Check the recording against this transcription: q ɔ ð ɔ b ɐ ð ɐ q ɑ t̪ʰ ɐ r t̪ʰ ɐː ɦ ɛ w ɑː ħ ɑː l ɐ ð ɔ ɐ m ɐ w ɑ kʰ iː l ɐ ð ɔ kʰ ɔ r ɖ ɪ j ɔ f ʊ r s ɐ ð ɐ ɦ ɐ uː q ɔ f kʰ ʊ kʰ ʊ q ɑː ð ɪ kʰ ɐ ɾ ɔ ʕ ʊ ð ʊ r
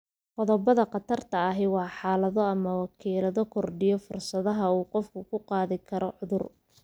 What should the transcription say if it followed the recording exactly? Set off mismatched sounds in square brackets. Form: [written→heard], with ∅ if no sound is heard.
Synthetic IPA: q ɔ ð ɔ b ɐ ð ɐ q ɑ t̪ʰ ɐ r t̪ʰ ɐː ɦ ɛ w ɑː ħ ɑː l ɐ ð ɔ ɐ m ɐ w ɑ kʰ iː l ɐ ð ɔ kʰ ɔ r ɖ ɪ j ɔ f ʊ r s ɐ ð ɐ ɦ ɐ uː q ɔ f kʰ ʊ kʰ ʊ q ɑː ð ɪ kʰ ɐ ɾ ɔ ʕ ʊ ð ʊ r